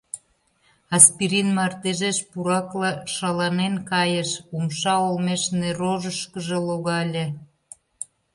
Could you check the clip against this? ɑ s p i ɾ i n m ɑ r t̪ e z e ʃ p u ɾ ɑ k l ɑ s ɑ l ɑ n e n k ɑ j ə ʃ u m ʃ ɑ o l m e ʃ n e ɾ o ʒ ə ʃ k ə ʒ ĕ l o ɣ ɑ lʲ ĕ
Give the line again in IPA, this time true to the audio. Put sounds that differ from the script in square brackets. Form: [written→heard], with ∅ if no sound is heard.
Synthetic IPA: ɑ s p i ɾ i n m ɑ r t̪ e [z→ʒ] e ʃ p u ɾ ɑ k l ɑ [s→ʃ] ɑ l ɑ n e n k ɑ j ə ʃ u m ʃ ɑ o l m e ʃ n e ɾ o ʒ ə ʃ k ə ʒ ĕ l o ɣ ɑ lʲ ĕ